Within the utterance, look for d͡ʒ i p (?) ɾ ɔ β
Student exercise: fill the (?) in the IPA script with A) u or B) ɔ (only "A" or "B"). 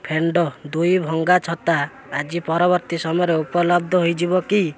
B